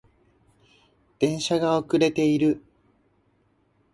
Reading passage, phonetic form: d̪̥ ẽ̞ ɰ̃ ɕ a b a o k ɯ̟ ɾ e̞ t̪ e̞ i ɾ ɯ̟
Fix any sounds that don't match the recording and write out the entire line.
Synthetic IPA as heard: d̪̥ ẽ̞ ɰ̃ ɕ a ɡ a o k ɯ̟ ɾ e̞ t̪ e̞ i ɾ ɯ̟